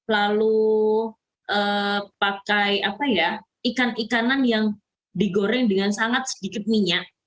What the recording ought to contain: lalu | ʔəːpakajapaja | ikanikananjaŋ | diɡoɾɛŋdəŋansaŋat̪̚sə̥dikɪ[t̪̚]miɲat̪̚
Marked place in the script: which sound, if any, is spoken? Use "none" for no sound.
t̪̚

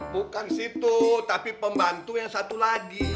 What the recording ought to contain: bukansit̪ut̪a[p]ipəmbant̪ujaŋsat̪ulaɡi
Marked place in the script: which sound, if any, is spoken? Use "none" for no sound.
p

